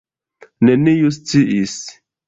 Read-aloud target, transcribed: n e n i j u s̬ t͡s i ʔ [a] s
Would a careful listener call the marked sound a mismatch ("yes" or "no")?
yes